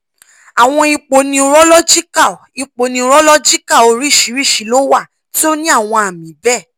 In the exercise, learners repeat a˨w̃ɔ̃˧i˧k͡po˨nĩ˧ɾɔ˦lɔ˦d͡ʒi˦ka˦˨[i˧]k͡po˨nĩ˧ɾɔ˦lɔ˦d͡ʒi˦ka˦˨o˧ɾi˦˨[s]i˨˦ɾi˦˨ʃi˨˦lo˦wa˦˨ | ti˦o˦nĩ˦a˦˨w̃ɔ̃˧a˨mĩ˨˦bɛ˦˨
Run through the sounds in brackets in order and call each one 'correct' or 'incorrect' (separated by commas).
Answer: correct, incorrect